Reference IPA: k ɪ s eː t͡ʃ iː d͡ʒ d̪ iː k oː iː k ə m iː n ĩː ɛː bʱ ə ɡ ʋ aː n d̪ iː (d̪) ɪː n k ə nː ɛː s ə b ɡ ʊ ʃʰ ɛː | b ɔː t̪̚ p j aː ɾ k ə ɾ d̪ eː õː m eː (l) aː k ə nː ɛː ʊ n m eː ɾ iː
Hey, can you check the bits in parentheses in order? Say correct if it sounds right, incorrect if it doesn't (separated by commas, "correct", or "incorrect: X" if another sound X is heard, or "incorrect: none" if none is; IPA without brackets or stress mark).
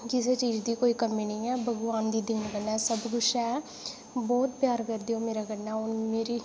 correct, incorrect: ɾ